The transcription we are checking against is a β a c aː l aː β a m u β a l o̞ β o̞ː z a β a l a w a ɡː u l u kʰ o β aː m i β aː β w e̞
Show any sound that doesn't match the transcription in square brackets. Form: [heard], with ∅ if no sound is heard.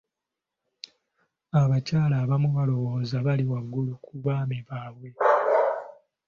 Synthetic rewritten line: a β a c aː l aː β a m u β a l o̞ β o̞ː z a β a l [i] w a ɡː u l u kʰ [u] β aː m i β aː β w e̞